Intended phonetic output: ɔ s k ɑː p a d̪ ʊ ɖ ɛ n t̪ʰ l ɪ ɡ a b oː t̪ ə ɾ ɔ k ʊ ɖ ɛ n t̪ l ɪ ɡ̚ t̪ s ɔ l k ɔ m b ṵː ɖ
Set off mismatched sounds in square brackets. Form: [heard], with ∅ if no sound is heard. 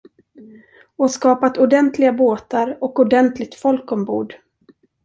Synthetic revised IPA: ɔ s k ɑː p a [t̪] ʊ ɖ ɛ n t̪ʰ l ɪ ɡ a b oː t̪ [a] ɾ ɔ k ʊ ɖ ɛ n t̪ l ɪ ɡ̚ t̪ [f] ɔ l k ɔ m b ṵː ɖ